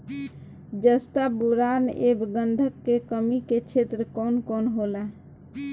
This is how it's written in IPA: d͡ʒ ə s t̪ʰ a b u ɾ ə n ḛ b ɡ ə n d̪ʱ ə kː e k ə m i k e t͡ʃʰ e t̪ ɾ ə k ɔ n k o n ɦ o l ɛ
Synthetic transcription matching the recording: d͡ʒ ə s t̪ a b u ɾ a n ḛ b ɡ ə n d̪ʱ ə kː e k ə m i k e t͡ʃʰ e t̪ ɾ ə k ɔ n k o n ɦ o l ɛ